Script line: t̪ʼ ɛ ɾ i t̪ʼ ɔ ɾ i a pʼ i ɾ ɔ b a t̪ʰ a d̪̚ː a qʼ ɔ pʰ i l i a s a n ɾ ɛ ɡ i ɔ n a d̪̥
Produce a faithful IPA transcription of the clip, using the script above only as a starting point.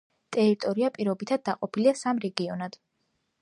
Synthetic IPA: t̪ʼ ɛ ɾ i t̪ʼ ɔ ɾ i a pʼ i ɾ ɔ b i t̪ʰ a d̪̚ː a qʼ ɔ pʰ i l i a s a m ɾ ɛ ɡ i ɔ n a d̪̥